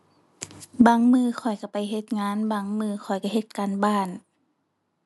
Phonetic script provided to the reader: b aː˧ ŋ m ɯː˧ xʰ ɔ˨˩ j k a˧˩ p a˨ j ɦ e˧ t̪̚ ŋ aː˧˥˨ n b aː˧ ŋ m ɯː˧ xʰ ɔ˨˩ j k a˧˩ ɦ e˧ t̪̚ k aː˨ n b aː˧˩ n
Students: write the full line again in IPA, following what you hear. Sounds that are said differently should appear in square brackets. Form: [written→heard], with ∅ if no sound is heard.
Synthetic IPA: b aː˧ ŋ m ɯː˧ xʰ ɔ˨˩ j k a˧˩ p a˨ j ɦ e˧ t̪̚ ŋ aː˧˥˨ n b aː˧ ŋ m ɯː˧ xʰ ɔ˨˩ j k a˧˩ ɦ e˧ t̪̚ k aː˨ n b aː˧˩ n